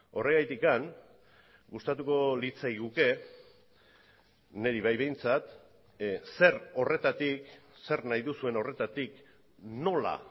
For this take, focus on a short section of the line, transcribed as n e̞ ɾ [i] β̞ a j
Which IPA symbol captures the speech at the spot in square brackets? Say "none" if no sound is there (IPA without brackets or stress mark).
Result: i